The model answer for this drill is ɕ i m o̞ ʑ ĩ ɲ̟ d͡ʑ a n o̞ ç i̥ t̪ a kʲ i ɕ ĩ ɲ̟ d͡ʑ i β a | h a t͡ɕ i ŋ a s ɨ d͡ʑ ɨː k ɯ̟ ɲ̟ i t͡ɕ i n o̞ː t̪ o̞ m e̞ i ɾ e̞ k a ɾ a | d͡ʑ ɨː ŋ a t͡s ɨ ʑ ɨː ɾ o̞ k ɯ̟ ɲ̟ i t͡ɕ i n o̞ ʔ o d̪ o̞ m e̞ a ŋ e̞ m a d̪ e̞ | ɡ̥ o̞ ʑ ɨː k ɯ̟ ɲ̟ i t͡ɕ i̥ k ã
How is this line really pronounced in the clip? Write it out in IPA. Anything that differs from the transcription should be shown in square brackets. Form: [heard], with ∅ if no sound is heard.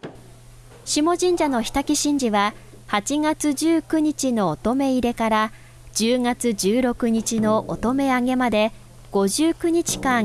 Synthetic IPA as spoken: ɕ i m o̞ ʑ ĩ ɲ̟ d͡ʑ a n o̞ ç i̥ t̪ a kʲ i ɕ ĩ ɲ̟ d͡ʑ i β a | h a t͡ɕ i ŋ a [t͡s] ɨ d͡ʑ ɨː k ɯ̟ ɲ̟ i t͡ɕ i n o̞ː t̪ o̞ m e̞ i ɾ e̞ k a ɾ a | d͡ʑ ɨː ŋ a t͡s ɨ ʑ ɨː ɾ o̞ k ɯ̟ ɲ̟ i t͡ɕ i n o̞ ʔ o [t̪] o̞ m e̞ a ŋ e̞ m a d̪ e̞ | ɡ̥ o̞ ʑ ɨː k ɯ̟ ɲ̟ i t͡ɕ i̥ k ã